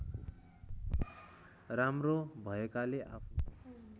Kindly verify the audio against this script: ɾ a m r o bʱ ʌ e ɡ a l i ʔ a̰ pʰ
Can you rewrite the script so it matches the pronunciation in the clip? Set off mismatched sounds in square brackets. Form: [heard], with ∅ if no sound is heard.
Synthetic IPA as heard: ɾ a m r o bʱ ʌ e [k] a l [e] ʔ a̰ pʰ